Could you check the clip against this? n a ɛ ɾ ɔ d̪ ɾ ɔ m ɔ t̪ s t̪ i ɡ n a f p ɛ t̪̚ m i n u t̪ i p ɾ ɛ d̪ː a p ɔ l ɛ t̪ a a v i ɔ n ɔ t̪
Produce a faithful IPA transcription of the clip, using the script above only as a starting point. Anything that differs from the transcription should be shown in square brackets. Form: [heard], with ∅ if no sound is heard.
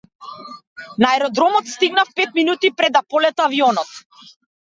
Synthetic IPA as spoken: n a ɛ ɾ ɔ d̪ ɾ ɔ m ɔ t̪ s t̪ i ɡ n a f p ɛ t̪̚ m i n u t̪ i p ɾ ɛ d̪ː a p ɔ l ɛ t̪ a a v i ɔ n ɔ t̪

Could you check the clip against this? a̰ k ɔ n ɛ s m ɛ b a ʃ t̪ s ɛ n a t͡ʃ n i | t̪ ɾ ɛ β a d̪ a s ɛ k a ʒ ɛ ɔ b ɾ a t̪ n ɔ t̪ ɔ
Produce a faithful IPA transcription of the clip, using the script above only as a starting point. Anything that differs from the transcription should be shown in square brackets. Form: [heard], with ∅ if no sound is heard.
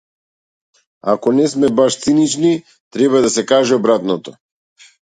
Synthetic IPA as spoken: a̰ k ɔ n ɛ s m ɛ b a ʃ t̪ s [i] n [i] t͡ʃ n i | t̪ ɾ ɛ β a d̪ a s ɛ k a ʒ ɛ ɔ b ɾ a t̪ n ɔ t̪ ɔ

